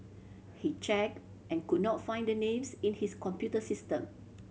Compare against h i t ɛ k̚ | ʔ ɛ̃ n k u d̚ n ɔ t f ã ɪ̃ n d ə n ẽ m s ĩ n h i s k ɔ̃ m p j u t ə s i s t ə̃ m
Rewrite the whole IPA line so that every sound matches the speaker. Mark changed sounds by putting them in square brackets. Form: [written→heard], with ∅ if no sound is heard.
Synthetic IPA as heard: h i [t→t͡ʃ] ɛ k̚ | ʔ ɛ̃ n k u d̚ n ɔ t f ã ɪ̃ n d ə n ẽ m s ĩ n h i s k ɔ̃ m p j u t ə s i s t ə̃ m